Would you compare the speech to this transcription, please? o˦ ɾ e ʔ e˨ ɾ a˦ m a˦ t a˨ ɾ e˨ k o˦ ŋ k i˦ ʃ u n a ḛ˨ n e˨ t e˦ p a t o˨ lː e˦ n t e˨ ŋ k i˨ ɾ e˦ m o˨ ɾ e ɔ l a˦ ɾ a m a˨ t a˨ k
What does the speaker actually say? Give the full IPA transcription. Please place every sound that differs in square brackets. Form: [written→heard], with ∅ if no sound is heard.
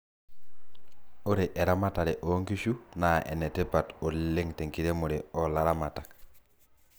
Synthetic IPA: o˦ ɾ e ʔ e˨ ɾ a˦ m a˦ t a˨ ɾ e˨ [k→ʔ] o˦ ŋ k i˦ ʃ u n a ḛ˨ n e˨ t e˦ p a t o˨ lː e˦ [n→ŋ] t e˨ ŋ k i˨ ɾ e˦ m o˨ ɾ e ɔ l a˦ ɾ a m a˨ t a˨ k